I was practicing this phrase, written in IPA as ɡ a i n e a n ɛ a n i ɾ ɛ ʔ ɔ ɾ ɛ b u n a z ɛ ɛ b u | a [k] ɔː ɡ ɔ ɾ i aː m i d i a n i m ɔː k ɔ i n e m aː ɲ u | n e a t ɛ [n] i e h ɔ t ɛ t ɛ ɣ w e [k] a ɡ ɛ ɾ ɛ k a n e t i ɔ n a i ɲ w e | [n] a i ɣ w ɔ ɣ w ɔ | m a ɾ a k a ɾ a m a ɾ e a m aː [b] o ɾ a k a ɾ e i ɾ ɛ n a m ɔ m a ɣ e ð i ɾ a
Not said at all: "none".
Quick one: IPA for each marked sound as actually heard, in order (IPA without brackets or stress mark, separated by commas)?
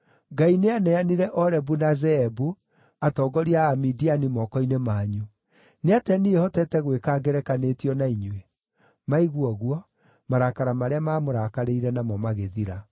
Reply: t, n, k, m, m